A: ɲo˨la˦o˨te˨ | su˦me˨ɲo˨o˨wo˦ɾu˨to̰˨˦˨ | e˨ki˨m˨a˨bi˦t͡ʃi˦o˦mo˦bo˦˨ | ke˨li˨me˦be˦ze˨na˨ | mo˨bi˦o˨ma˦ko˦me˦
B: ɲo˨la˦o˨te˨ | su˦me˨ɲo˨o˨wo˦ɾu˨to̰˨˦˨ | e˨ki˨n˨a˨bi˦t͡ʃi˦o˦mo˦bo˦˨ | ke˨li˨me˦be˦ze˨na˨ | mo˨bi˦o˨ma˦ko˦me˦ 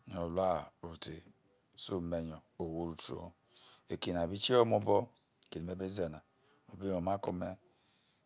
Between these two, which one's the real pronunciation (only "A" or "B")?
B